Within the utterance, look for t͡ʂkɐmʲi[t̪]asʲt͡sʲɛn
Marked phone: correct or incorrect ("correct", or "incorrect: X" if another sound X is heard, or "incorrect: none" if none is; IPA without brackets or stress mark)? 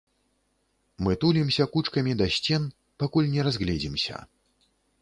incorrect: d̪